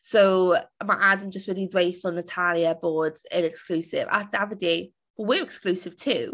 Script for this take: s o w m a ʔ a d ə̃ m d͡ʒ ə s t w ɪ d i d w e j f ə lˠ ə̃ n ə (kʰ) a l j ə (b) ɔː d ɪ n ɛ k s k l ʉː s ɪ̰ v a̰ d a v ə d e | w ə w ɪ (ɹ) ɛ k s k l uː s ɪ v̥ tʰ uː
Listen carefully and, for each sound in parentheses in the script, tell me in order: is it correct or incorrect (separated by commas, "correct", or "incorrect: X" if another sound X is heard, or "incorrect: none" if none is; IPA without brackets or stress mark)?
incorrect: tʰ, correct, correct